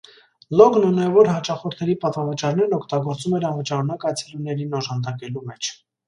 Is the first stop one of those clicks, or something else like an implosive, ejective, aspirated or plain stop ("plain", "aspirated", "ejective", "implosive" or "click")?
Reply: plain